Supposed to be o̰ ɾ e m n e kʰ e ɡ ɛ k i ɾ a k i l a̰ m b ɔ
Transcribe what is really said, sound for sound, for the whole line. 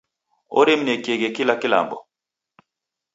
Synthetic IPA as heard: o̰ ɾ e m n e k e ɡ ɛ k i l a k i l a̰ m b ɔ